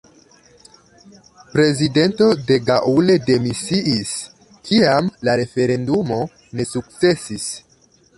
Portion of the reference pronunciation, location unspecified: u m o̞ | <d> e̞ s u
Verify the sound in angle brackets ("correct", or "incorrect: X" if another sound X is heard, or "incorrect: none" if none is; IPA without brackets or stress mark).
incorrect: n